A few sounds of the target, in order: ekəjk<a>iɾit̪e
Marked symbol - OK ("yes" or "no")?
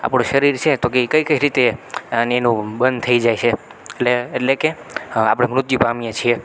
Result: no